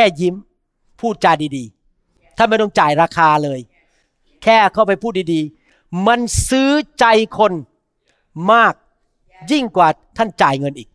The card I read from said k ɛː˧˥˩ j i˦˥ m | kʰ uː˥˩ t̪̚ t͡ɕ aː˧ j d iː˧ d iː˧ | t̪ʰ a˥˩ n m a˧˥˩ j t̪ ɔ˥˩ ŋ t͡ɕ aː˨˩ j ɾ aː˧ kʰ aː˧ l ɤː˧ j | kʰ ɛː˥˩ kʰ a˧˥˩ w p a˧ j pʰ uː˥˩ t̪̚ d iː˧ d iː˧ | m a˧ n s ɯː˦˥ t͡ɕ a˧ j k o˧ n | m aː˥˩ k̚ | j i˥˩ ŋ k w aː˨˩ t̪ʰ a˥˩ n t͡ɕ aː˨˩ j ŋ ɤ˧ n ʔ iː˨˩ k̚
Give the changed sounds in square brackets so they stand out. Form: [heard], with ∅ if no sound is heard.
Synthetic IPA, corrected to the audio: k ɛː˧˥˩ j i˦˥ m | [pʰ] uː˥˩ t̪̚ t͡ɕ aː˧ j d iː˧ d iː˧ | t̪ʰ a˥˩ n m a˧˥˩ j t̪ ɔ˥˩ ŋ t͡ɕ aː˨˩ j ɾ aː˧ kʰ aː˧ l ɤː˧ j | kʰ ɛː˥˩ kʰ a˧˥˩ w p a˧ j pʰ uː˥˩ t̪̚ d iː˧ d iː˧ | m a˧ n s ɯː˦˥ t͡ɕ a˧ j [kʰ] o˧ n | m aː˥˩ k̚ | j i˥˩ ŋ k w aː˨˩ t̪ʰ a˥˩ n t͡ɕ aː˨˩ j ŋ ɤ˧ n ʔ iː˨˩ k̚